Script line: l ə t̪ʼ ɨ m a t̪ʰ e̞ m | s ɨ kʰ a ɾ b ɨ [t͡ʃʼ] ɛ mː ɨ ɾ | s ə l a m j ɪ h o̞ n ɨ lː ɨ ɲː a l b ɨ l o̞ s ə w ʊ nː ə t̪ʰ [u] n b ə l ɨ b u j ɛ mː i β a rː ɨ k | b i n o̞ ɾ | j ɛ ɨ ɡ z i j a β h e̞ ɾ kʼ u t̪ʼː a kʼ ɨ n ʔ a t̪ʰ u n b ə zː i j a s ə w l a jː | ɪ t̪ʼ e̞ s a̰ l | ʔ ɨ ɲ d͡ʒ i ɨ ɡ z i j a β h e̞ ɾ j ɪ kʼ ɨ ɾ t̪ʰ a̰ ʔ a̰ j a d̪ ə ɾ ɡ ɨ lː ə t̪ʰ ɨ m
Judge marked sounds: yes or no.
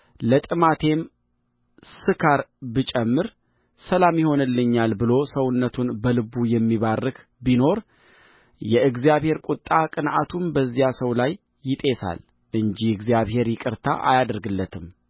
yes, yes

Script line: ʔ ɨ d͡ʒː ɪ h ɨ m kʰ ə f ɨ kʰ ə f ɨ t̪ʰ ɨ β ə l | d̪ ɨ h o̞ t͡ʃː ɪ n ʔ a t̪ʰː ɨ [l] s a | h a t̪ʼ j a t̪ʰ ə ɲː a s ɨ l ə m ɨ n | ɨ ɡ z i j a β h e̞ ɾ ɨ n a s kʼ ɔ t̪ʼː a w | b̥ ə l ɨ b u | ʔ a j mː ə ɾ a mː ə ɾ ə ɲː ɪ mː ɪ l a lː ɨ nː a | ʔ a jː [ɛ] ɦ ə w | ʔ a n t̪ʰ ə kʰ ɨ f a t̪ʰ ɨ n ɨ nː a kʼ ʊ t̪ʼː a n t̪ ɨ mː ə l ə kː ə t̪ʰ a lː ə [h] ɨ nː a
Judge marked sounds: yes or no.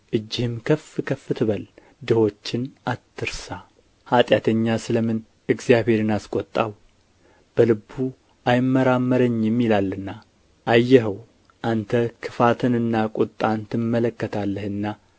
no, yes, yes

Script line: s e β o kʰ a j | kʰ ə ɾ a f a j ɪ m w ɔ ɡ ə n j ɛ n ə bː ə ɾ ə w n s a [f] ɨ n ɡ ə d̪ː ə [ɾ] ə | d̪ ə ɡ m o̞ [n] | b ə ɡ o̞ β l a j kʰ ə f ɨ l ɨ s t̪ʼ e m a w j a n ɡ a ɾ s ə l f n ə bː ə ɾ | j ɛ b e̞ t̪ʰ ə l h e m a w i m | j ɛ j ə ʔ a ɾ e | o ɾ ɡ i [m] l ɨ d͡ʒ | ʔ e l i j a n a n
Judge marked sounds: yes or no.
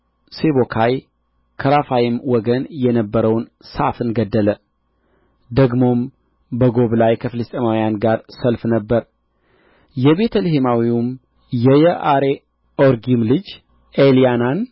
yes, no, no, yes

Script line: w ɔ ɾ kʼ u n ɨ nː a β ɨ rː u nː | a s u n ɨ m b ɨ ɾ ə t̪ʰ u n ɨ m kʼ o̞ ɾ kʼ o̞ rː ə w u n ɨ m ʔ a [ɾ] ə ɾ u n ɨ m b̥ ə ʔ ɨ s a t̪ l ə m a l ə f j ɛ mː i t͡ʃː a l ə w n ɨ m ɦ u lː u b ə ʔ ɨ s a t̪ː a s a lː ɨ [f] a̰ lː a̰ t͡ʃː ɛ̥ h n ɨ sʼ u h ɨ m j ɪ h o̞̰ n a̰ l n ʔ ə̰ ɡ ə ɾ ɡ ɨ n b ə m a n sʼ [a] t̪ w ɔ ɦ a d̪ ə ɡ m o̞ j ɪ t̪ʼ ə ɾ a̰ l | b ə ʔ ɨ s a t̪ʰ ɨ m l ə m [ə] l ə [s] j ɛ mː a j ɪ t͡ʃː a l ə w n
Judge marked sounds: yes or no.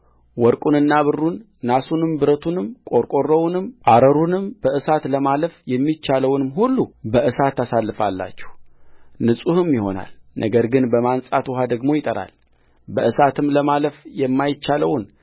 yes, yes, yes, no, no

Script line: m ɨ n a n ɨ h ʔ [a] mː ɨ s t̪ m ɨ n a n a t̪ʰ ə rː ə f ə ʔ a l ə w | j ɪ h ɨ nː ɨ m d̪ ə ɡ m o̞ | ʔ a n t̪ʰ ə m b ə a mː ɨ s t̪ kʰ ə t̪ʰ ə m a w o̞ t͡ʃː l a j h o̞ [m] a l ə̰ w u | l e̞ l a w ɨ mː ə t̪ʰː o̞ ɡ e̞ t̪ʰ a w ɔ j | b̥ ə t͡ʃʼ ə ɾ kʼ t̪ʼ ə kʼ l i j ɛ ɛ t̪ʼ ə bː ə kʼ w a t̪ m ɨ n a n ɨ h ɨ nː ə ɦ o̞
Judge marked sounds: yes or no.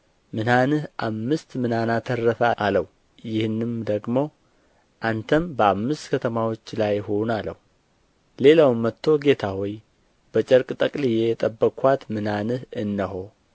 yes, no

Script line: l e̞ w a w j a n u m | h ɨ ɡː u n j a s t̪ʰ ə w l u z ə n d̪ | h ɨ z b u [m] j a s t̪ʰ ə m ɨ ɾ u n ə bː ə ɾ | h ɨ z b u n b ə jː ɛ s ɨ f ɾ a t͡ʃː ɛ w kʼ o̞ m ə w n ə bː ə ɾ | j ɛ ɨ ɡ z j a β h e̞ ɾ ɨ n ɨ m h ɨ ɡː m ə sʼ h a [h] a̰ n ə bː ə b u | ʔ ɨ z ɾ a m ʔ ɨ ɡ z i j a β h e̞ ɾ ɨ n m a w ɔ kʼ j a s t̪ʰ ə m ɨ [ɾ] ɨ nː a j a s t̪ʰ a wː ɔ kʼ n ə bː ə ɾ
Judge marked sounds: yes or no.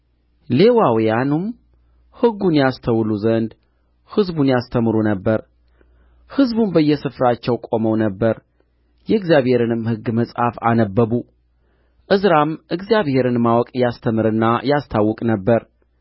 no, no, yes

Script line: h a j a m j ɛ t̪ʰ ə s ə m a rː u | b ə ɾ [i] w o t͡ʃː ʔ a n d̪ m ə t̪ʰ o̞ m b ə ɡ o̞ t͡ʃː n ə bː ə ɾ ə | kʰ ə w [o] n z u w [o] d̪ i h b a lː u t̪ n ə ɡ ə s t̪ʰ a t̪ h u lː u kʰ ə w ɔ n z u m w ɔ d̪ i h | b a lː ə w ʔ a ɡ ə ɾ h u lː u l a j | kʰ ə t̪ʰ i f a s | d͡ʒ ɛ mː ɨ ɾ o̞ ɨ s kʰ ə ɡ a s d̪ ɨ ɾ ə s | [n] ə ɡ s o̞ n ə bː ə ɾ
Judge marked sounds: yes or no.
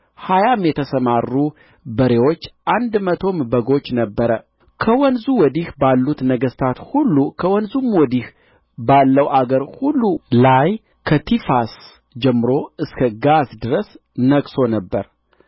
no, no, no, yes

